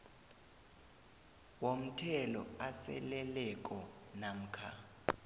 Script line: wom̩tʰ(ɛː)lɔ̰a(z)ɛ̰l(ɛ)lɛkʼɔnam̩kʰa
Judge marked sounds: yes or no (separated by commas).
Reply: no, no, yes